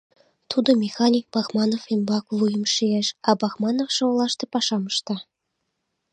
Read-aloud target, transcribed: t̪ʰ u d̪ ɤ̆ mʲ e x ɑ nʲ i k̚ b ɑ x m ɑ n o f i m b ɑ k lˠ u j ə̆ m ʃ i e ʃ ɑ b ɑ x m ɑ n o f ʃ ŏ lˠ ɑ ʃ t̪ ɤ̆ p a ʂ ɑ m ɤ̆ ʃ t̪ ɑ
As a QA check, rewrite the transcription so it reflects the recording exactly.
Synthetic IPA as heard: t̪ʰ u d̪ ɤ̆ mʲ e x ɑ nʲ i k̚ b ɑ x m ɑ n o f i m b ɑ k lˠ u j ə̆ m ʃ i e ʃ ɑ b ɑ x m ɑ n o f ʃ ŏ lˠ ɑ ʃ t̪ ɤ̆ p ɑ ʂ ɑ m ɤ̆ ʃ t̪ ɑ